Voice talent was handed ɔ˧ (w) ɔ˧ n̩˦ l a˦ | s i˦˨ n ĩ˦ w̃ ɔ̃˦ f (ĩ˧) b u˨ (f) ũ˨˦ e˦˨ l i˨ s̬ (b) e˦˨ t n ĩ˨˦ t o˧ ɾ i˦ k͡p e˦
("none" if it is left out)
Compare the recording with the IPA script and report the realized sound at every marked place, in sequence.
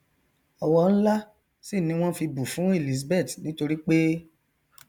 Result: w, i˧, f, b

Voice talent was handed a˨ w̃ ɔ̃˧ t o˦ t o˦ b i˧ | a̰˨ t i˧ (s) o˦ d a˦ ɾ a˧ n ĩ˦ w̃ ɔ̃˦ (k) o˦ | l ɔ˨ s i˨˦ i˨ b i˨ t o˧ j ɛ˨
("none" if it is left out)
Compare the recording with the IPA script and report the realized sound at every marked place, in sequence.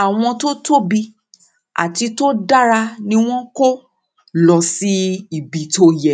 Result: t, k

